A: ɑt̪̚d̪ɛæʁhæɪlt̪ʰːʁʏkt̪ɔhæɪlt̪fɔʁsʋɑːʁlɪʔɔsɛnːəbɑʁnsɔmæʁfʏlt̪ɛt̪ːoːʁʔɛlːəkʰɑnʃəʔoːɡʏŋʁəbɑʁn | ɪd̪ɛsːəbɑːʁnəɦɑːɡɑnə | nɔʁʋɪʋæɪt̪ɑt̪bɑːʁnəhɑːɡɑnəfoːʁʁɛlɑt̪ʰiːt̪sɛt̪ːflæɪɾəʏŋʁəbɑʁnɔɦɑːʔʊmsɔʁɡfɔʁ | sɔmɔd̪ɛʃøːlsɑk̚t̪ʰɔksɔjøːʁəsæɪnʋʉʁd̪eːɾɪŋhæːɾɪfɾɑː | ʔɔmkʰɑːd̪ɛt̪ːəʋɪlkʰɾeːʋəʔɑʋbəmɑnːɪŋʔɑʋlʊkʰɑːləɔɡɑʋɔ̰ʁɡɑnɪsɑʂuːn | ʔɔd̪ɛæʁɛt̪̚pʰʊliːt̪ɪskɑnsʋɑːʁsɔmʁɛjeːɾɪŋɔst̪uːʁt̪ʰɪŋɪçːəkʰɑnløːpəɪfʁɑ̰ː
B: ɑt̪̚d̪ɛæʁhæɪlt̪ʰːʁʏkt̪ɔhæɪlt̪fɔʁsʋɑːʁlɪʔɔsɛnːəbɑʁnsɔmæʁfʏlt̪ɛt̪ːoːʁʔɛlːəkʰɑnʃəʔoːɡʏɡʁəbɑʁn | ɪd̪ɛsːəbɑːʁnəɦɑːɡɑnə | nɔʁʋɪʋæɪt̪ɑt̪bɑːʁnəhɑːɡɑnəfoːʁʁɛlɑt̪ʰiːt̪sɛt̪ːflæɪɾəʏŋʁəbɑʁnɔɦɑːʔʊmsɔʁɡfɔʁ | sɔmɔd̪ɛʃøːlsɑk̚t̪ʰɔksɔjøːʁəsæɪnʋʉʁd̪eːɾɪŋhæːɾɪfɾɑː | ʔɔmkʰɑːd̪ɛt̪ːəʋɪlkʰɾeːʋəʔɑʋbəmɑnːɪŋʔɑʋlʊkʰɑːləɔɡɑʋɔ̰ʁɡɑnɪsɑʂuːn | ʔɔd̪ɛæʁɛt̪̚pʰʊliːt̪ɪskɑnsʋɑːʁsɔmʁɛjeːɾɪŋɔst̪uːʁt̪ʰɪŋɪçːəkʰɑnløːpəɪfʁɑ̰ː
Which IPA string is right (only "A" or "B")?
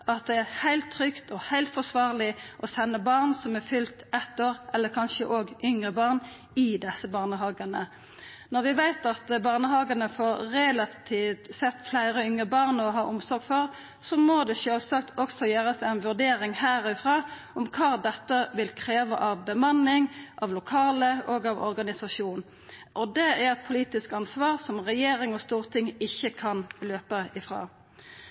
A